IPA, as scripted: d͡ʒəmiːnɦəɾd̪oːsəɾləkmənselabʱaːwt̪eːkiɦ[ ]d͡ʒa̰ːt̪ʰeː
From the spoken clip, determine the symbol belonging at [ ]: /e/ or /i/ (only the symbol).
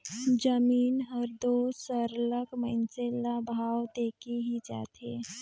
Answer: i